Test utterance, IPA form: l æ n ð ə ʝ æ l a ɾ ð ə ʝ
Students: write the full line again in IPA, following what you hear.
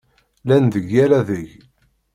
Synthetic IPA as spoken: l æ n ð ə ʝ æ ɾ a ð ə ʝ